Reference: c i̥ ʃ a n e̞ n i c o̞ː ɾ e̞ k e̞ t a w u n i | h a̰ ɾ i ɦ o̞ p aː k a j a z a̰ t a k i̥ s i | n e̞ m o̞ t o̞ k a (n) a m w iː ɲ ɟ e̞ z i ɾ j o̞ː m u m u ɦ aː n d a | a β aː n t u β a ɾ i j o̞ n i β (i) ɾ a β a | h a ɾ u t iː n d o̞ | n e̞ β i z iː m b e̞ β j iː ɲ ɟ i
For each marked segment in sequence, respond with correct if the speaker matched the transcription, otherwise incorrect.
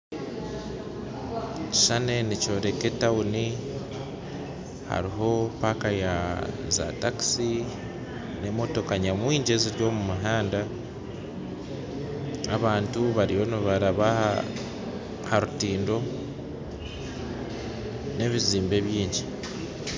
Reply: incorrect: ɲ, incorrect: a

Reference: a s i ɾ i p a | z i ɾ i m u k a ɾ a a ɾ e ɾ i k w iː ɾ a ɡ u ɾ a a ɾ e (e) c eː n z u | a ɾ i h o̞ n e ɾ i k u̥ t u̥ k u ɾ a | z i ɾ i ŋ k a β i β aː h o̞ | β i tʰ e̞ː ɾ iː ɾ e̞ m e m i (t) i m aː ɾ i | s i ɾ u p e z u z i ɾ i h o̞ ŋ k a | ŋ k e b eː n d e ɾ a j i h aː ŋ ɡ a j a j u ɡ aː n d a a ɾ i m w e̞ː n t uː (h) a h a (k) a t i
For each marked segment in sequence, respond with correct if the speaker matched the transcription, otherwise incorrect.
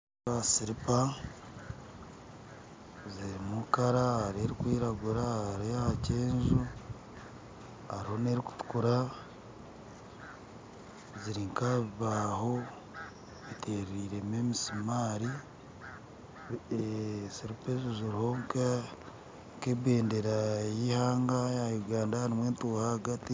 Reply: incorrect: a, incorrect: s, correct, incorrect: ɡ

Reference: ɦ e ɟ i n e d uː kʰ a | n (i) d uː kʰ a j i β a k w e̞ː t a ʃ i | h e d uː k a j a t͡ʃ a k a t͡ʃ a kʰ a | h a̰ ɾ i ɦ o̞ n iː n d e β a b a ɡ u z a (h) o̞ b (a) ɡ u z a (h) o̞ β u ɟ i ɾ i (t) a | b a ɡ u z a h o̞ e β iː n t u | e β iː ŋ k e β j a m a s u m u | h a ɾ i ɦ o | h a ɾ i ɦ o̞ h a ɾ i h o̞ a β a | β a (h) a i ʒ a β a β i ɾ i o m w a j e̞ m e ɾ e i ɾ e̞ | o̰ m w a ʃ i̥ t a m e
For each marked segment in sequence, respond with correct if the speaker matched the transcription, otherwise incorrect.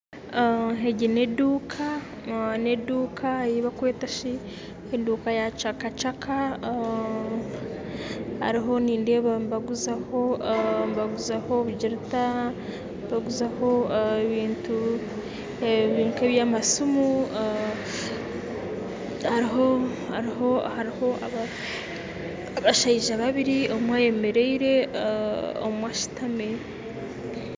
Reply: incorrect: e, correct, correct, correct, correct, incorrect: ʃ

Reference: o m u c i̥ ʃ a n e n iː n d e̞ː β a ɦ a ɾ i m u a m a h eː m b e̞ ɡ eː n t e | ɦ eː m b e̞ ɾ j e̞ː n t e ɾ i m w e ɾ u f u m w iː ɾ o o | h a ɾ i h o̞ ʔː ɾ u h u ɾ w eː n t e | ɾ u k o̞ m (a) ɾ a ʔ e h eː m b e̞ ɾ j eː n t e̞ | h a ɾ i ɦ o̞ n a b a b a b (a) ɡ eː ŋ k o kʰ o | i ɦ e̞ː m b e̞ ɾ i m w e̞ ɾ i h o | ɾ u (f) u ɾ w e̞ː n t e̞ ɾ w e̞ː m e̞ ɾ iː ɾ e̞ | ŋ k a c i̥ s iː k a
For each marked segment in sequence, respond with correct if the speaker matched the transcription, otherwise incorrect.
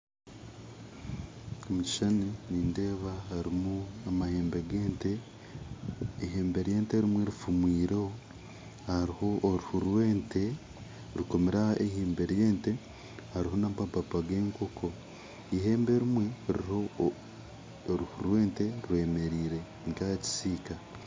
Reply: incorrect: e, correct, incorrect: h

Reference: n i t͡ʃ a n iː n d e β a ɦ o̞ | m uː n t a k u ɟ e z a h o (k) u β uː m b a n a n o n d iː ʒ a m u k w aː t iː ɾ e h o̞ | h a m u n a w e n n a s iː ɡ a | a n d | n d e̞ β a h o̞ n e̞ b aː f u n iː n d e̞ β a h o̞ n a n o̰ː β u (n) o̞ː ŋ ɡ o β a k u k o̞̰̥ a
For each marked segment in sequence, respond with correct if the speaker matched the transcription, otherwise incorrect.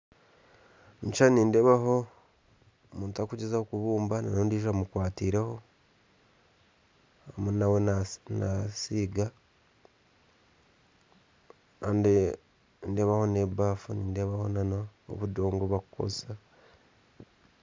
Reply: correct, incorrect: d

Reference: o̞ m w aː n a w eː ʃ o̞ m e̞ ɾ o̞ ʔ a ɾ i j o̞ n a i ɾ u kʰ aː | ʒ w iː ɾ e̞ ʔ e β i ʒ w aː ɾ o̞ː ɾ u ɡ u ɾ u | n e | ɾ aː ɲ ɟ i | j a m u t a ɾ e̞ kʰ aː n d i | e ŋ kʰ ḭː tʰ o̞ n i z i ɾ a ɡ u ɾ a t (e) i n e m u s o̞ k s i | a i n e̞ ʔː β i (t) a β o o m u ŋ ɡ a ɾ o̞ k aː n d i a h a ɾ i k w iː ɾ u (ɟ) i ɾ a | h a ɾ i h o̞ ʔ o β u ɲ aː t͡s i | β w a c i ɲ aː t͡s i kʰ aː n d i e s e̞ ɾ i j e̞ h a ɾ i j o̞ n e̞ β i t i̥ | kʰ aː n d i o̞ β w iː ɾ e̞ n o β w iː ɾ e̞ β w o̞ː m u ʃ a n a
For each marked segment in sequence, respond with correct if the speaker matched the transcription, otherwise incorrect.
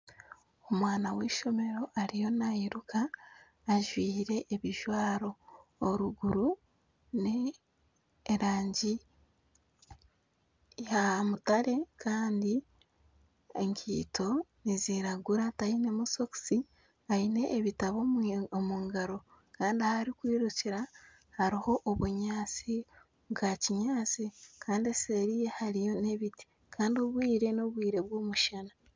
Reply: incorrect: a, correct, incorrect: c

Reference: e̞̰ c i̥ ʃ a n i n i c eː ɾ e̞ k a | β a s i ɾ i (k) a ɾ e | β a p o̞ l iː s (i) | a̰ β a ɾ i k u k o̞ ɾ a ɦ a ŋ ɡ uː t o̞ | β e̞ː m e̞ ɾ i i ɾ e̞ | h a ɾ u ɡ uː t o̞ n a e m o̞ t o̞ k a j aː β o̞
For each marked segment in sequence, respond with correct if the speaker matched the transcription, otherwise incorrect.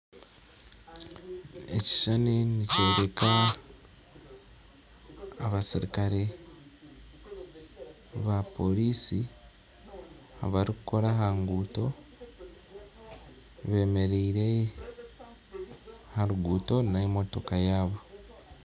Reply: correct, correct

